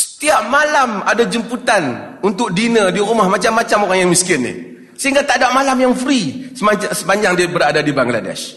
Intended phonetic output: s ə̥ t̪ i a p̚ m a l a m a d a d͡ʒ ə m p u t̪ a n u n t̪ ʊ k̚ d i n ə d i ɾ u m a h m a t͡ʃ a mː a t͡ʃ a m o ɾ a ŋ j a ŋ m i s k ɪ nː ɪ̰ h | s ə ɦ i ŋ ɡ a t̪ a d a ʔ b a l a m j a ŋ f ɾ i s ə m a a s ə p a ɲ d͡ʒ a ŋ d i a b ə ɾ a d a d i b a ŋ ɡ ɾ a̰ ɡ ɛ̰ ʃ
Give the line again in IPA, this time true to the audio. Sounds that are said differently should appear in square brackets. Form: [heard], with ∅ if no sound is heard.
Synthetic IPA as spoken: s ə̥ t̪ i a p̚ m a l a m a d a d͡ʒ ə m p u t̪ a n u n t̪ ʊ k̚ d i n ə d i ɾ u m a h m a t͡ʃ a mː a t͡ʃ a m o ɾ a ŋ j a ŋ m i s k ɪ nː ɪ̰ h | s ə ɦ i ŋ ɡ a t̪ a d a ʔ [m] a l a m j a ŋ f ɾ i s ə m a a s ə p a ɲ d͡ʒ a ŋ d i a b ə ɾ a d a d i b a ŋ ɡ [l] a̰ [d] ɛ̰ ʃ